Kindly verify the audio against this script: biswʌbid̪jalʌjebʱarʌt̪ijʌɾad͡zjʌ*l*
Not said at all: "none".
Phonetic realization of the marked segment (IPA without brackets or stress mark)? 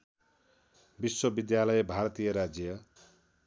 none